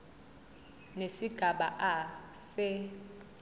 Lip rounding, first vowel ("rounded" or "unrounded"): unrounded